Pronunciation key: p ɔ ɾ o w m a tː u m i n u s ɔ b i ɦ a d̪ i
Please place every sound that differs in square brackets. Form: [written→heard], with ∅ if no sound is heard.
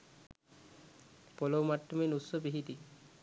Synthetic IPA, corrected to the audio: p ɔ [ɾ→l] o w m a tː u m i n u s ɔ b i ɦ [a→i] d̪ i